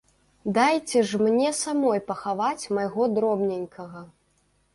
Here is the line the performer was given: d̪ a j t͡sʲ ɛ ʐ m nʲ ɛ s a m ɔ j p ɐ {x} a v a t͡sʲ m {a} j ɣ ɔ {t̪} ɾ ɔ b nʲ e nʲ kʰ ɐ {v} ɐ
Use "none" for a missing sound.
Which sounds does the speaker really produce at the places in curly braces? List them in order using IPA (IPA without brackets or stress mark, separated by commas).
x, a, d̪, ɣ